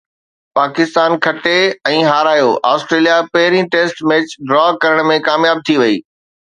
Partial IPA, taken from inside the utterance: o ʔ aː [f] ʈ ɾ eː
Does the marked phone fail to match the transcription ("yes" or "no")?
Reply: yes